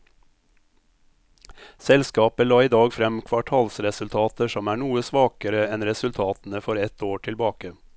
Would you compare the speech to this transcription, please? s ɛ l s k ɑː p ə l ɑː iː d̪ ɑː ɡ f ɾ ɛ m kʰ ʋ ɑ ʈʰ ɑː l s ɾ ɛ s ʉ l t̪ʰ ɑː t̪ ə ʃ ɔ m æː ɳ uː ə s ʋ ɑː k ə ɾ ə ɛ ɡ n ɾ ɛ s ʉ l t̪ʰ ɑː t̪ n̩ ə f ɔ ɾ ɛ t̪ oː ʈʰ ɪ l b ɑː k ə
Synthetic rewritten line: s ɛ l s k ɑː p ə l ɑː iː d̪ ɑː ɡ f ɾ ɛ m kʰ ʋ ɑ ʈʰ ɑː l s ɾ ɛ s ʉ l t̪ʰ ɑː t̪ ə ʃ ɔ m æː ɳ uː ə s ʋ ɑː k ə ɾ ə ɛ n ɾ ɛ s ʉ l t̪ʰ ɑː t̪ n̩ ə f ɔ ɾ ɛ t̪ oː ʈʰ ɪ l b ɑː k ə